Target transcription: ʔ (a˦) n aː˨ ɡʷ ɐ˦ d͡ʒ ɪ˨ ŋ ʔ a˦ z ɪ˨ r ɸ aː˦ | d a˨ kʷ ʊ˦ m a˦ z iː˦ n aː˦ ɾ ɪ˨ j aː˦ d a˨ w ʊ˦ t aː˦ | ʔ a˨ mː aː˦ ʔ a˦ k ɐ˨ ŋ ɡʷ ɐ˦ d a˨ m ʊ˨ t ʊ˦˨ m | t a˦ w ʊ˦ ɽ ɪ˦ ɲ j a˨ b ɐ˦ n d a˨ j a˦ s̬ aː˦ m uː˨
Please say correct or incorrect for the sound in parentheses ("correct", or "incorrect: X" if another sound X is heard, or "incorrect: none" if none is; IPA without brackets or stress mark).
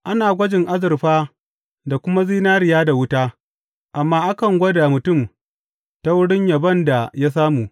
correct